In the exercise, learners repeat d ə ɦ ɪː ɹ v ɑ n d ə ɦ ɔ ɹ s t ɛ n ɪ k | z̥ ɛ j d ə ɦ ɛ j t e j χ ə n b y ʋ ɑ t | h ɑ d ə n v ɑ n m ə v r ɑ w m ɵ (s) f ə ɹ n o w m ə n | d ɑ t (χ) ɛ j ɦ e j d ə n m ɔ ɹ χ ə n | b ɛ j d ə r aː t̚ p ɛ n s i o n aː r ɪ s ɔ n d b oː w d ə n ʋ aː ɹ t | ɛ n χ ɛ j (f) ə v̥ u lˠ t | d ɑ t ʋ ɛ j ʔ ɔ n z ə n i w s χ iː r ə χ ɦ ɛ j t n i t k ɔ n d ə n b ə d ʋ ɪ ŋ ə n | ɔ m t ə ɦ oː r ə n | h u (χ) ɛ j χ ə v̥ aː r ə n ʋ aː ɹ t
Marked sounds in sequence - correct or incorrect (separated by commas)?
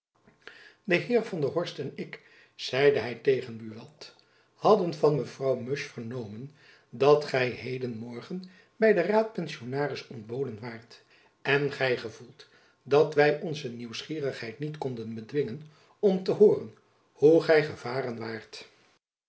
incorrect, correct, incorrect, correct